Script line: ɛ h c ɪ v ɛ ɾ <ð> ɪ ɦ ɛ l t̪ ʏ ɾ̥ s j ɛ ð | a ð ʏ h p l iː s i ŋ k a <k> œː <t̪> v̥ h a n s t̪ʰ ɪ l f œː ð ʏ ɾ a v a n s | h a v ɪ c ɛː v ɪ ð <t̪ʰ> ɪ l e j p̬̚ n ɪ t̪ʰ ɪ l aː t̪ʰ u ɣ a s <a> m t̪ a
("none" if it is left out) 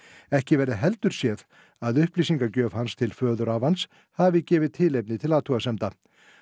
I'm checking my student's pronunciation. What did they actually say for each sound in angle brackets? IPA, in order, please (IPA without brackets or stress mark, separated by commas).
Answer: ð, c, none, t̪ʰ, ɛ